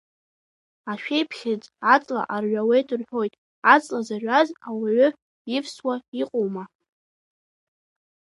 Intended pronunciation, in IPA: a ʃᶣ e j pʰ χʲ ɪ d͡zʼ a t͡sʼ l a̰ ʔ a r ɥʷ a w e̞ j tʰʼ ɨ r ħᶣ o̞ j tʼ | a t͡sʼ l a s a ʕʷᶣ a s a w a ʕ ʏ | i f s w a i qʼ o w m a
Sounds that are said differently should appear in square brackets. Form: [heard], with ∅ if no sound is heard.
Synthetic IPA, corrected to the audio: a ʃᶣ e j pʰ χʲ ɪ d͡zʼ a t͡sʼ l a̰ ʔ a r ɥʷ a w e̞ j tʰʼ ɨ r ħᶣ o̞ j tʼ | a t͡sʼ l a [z] a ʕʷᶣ a [z] a w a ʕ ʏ | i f s w a i qʼ o w m a

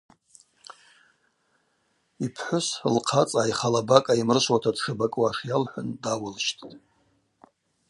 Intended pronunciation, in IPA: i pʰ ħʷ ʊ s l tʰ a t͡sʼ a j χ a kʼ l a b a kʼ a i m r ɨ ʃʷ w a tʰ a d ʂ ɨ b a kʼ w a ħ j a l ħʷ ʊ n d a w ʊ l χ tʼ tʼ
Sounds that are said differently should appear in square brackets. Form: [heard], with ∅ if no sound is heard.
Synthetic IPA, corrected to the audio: i pʰ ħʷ ʊ s l [qʰ] a t͡sʼ a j χ a [∅] l a b a kʼ a i m r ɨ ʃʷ w a tʰ a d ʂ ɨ b a kʼ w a [ʂ] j a l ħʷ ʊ n d a w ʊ l [ʃ] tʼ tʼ

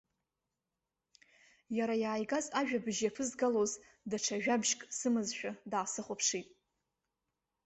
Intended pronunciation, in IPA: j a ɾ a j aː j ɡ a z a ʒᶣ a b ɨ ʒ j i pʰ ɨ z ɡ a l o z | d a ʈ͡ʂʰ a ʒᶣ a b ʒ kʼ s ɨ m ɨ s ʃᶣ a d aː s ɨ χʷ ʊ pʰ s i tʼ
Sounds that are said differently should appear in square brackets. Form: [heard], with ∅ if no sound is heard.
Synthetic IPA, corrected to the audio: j a ɾ a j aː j ɡ a z a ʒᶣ a b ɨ ʒ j [a] pʰ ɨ z ɡ a l o z | d a ʈ͡ʂʰ a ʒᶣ a b ʒ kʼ s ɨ m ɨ [z] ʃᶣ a d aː s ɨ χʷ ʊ pʰ [ʂ] i tʼ

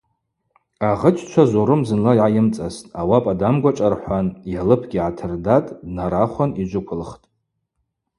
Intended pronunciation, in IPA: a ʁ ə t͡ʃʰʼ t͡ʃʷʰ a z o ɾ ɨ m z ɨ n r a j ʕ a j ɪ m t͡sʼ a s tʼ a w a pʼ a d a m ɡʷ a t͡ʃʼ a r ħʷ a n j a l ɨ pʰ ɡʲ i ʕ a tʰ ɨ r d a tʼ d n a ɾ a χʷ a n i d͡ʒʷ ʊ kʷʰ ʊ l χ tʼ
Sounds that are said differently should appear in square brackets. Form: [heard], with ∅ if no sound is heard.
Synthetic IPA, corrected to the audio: a ʁ ə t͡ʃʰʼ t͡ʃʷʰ a z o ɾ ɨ m z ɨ n [l] a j ʕ a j ɪ m t͡sʼ a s tʼ a w a pʼ a d a m ɡʷ a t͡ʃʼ a r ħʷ a n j a l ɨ pʰ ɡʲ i ʕ a tʰ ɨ r d a tʼ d n a ɾ a χʷ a n i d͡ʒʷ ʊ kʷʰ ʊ l χ tʼ

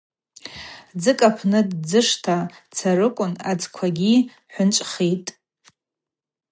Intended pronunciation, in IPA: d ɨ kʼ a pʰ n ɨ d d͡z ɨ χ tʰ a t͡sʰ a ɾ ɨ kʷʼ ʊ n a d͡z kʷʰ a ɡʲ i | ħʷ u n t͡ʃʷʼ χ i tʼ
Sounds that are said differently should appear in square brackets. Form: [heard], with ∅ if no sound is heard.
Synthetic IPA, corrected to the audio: [d͡z] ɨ kʼ a pʰ n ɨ d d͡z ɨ [ʂ] tʰ a t͡sʰ a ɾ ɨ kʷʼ ʊ n a d͡z kʷʰ a ɡʲ i | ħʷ [ʊ] n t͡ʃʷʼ χ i tʼ

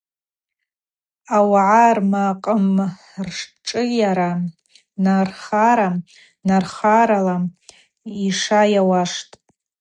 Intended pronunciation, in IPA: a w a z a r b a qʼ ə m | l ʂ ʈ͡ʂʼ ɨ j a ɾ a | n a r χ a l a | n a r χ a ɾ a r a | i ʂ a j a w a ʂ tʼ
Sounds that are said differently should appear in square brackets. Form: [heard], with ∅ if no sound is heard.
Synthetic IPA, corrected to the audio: a w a [ʕ] a r [m] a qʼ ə m | [r] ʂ ʈ͡ʂʼ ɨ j a ɾ a | n a r χ a [ɾ] a | n a r χ a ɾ a [l] a | i ʂ a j a w a ʂ tʼ

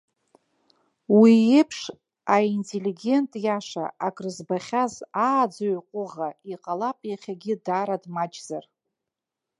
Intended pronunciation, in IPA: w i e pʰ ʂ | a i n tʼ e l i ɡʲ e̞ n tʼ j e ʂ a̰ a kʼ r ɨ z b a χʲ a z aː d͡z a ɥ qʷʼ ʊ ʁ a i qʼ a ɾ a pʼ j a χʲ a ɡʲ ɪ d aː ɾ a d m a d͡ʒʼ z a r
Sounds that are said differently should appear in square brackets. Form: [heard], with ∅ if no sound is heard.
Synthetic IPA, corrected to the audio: w i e pʰ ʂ | a i n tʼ e l i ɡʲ e̞ n tʼ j [a] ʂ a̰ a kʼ r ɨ z b a χʲ a z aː d͡z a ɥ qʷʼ ʊ ʁ a i qʼ a [l] a pʼ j a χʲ a ɡʲ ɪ d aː ɾ a d m a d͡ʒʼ z a r

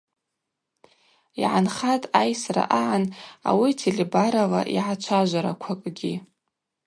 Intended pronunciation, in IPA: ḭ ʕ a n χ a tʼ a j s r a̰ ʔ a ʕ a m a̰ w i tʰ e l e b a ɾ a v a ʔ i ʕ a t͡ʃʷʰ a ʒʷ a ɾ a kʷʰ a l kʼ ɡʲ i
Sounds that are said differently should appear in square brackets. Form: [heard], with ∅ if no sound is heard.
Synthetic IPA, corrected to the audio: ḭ ʕ a n χ a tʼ a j s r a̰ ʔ a ʕ a [n] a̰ w i tʰ e l e b a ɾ a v a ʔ i ʕ a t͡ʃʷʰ a ʒʷ a ɾ a kʷʰ a [∅] kʼ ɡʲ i

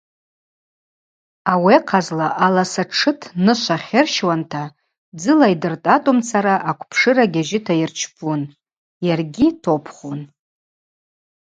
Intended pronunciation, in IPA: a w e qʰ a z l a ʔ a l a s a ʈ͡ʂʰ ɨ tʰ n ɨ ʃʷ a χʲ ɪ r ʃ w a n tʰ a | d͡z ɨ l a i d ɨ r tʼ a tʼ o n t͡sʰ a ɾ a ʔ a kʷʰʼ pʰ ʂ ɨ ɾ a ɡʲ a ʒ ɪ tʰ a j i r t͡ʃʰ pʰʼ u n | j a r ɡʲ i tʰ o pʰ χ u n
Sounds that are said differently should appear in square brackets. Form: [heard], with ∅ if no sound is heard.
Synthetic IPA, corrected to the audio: a w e qʰ a z l a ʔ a l a s a ʈ͡ʂʰ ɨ tʰ n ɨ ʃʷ a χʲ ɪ r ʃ w a n tʰ a | d͡z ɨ l a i d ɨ r tʼ a tʼ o [m] t͡sʰ a ɾ a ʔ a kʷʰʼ pʰ ʂ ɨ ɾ a ɡʲ a ʒ ɪ tʰ a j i r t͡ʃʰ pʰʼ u n | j a r ɡʲ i tʰ o pʰ χ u n

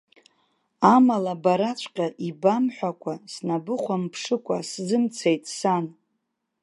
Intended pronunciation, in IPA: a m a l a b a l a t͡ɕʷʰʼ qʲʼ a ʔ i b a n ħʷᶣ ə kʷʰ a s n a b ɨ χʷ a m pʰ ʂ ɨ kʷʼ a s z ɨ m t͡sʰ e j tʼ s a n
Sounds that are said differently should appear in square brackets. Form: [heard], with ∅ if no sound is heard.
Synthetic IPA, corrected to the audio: a m a l a b a [ɾ] a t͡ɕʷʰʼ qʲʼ a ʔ i b a [m] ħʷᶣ [a] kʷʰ a s n a b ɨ χʷ a m pʰ ʂ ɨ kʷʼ a s z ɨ m t͡sʰ e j tʼ s a n

